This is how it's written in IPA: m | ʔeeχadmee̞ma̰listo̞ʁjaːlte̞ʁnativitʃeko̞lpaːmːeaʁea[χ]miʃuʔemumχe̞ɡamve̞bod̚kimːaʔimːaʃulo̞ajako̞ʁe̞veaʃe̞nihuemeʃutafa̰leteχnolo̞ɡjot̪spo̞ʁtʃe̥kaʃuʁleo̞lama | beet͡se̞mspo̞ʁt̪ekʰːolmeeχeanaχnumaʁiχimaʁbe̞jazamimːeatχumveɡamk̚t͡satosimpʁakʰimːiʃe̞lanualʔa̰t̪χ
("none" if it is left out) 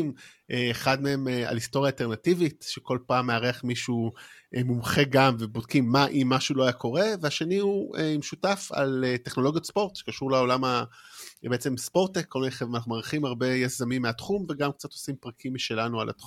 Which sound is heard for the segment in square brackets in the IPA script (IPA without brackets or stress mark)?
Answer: χ